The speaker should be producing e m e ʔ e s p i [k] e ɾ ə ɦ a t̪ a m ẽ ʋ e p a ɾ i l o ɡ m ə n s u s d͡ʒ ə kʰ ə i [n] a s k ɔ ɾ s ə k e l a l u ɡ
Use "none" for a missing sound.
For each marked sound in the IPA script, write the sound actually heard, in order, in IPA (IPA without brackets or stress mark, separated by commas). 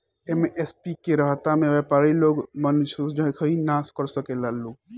k, n